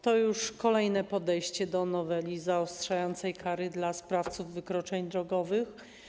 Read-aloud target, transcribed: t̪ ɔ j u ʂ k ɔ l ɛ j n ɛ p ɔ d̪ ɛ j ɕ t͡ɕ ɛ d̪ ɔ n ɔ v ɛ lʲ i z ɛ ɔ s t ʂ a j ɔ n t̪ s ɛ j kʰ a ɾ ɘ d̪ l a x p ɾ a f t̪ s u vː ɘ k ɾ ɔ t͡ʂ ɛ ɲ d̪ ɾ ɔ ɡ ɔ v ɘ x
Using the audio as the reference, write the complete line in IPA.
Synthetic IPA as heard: t̪ ɔ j u ʂ k ɔ l ɛ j n ɛ p ɔ d̪ ɛ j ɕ t͡ɕ ɛ d̪ ɔ n ɔ v ɛ lʲ i z a ɔ s t ʂ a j ɔ n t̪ s ɛ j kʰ a ɾ ɘ d̪ l a s p ɾ a f t̪ s u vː ɘ k ɾ ɔ t͡ʂ ɛ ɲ d̪ ɾ ɔ ɡ ɔ v ɘ x